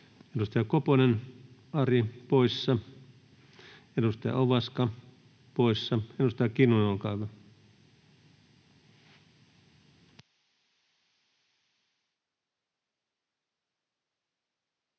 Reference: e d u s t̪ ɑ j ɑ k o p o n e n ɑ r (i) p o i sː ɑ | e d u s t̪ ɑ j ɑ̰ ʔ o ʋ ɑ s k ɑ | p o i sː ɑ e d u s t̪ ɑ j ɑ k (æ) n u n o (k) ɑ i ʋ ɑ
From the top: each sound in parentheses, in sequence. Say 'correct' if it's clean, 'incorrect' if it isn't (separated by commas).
correct, incorrect, correct